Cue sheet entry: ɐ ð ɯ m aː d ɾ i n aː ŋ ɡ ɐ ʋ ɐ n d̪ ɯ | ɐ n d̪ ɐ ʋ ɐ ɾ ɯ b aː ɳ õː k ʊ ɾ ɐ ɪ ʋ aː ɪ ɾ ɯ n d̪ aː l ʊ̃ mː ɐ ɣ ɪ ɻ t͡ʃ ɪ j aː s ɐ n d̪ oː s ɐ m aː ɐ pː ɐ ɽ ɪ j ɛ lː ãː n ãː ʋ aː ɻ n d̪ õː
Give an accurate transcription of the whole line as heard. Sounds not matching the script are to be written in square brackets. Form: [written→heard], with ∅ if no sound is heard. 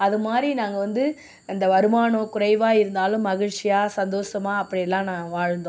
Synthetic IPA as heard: ɐ ð ɯ m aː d ɾ i n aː ŋ ɡ ɐ ʋ ɐ n d̪ ɯ | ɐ n d̪ ɐ ʋ ɐ ɾ ɯ [b→m] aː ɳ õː k ʊ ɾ ɐ ɪ ʋ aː ɪ ɾ ɯ n d̪ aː l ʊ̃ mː ɐ ɣ ɪ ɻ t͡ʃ ɪ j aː s ɐ n d̪ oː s ɐ m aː ɐ pː ɐ ɽ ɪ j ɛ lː ãː n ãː ʋ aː ɻ n d̪ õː